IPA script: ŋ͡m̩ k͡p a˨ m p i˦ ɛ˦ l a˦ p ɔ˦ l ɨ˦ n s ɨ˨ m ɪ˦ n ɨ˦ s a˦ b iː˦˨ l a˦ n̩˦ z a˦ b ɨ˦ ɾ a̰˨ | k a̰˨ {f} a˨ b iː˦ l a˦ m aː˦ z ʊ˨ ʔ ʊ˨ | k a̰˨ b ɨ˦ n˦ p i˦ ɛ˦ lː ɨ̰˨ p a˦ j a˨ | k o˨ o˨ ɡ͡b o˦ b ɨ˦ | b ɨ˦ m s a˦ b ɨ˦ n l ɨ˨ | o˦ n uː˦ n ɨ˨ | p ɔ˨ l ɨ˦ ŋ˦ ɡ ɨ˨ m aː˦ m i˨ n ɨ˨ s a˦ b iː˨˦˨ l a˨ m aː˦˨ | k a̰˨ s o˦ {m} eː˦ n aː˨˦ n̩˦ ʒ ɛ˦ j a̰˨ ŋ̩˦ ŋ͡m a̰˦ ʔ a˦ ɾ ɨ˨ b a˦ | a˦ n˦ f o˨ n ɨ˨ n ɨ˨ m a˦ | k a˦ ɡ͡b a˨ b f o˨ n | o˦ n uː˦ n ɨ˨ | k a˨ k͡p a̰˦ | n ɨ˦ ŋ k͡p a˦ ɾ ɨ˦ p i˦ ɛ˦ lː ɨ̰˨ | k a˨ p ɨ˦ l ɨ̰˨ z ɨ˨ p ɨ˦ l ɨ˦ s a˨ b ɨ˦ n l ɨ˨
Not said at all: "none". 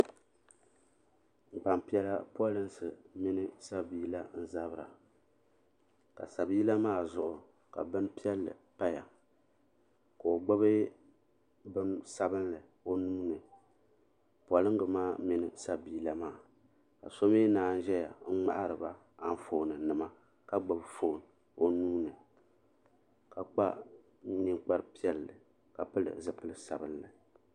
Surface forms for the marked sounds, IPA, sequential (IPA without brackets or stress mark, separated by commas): s, m